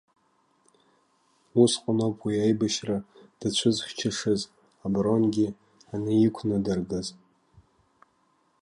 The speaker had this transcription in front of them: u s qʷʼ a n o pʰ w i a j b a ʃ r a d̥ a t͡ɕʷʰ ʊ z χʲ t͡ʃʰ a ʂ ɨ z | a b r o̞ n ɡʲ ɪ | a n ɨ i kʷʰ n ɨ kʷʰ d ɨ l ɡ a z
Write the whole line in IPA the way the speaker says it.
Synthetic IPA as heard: u s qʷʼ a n o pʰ w i a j b a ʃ r a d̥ a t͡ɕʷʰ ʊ z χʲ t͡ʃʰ a ʂ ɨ z | a b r o̞ n ɡʲ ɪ | a n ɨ i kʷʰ n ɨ d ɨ r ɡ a z